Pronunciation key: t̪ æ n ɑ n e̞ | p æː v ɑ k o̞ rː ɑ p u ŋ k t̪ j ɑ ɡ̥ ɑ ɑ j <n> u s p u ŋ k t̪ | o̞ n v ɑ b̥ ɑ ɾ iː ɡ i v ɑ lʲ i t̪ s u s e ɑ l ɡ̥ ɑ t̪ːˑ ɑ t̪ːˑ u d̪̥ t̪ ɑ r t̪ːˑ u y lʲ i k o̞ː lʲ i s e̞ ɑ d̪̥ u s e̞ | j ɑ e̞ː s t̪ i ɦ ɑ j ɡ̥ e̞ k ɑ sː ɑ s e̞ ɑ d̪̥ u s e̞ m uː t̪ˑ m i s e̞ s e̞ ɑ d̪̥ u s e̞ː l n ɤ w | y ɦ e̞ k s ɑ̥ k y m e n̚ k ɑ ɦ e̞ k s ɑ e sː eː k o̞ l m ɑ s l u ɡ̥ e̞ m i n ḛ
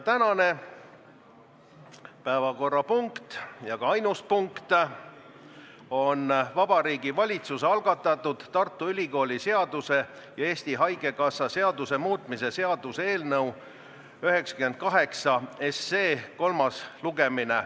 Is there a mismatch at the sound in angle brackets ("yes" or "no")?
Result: no